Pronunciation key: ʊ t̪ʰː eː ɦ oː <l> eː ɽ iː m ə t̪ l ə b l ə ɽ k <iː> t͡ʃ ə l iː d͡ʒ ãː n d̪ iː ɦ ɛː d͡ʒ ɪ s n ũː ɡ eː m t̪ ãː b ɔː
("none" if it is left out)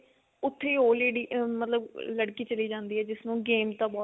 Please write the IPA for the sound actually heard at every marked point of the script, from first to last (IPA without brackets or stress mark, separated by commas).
l, iː